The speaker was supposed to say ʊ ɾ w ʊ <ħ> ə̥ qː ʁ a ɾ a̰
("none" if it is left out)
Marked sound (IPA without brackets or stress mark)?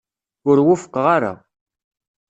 f